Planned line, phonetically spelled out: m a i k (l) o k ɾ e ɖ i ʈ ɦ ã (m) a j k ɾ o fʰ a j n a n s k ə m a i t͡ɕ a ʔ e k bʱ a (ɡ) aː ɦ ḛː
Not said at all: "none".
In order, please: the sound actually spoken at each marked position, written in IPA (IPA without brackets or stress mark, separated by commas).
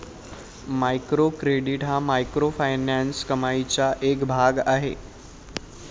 ɾ, m, ɡ